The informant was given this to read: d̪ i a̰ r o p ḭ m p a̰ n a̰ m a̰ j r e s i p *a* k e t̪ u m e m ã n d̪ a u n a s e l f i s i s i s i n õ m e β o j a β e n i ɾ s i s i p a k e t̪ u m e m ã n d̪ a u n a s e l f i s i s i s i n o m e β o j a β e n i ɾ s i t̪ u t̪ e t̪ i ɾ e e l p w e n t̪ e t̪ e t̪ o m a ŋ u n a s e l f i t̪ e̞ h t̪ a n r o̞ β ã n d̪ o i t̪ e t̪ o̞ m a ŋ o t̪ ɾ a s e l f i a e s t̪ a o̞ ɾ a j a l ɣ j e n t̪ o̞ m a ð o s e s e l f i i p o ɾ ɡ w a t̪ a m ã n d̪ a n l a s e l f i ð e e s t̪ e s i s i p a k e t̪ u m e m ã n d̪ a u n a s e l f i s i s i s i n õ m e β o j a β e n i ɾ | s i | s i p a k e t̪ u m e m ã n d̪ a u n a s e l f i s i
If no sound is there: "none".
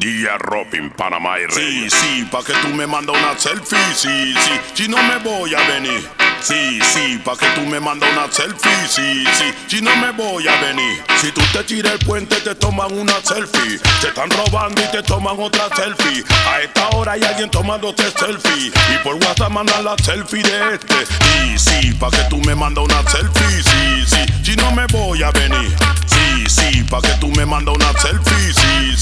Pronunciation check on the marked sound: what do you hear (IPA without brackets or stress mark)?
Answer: a